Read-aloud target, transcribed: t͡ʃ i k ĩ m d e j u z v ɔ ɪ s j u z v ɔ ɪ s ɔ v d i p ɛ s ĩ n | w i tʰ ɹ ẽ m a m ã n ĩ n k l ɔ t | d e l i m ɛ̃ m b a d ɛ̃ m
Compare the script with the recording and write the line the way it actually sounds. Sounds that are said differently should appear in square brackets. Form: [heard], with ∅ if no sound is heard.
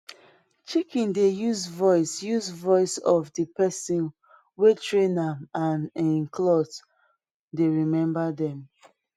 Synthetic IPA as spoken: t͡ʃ i k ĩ [n] d e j u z v ɔ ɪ s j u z v ɔ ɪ s ɔ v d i p ɛ s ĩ n | w [e] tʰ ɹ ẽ [n] a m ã n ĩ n k l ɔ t | d e [ɹ] i m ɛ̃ m b a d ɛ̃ m